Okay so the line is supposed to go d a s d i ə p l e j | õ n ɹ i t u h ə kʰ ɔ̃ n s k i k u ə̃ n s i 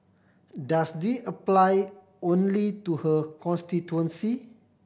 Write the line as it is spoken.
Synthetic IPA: d a s d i ə p l a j | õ n l i t u h ə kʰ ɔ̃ n s t i t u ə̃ n s i